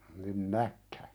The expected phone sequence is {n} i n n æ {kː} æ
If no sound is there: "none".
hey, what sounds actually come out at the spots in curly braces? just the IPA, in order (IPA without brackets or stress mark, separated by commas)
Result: n, kː